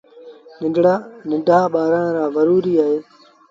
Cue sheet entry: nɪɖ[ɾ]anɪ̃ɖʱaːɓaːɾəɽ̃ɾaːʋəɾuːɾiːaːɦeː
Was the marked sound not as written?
yes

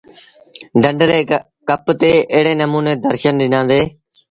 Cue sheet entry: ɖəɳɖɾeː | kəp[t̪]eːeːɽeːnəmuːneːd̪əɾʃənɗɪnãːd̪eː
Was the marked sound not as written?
no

